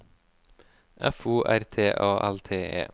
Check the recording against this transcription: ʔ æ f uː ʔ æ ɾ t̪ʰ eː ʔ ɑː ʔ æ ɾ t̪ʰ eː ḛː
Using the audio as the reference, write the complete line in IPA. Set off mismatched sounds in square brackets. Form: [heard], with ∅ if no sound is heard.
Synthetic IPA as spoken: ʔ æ f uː ʔ æ ɾ t̪ʰ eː ʔ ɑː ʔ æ [l] t̪ʰ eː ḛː